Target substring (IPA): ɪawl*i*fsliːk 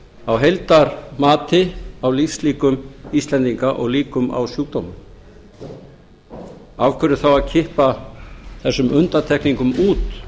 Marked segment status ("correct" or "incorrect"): correct